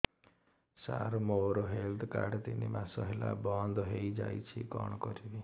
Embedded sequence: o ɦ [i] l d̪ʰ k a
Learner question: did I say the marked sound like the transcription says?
no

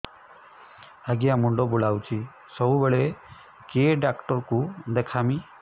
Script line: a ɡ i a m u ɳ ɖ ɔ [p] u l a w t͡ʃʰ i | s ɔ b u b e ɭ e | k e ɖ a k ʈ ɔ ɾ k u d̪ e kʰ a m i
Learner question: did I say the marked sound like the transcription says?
no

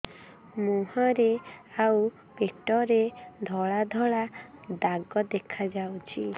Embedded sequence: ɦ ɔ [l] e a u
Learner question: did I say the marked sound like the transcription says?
no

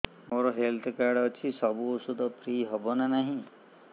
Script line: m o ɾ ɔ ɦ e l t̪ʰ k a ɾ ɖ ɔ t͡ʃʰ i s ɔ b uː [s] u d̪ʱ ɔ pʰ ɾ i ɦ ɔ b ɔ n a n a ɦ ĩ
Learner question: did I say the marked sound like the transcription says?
yes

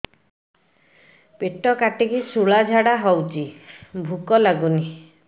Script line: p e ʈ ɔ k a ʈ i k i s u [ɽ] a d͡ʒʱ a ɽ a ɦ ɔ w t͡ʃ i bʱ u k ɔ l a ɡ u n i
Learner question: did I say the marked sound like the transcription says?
no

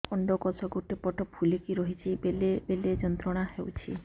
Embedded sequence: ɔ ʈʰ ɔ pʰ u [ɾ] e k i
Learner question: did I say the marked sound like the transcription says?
no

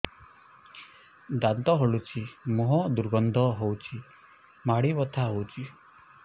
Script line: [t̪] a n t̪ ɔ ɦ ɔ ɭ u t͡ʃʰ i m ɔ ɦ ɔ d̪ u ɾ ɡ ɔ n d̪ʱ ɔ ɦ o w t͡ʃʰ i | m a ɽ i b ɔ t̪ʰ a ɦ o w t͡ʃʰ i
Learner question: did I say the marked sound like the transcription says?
no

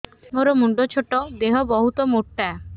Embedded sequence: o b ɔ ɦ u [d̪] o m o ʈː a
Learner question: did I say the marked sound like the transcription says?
no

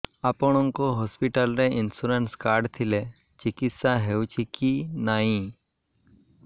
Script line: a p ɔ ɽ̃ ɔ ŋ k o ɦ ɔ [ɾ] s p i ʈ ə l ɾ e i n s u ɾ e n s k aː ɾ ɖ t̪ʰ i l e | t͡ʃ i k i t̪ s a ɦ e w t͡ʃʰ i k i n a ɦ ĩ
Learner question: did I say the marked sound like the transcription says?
no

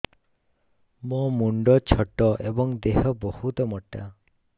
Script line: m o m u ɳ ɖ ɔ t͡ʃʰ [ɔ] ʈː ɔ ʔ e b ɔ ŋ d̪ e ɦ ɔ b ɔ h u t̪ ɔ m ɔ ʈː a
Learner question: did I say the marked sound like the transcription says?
yes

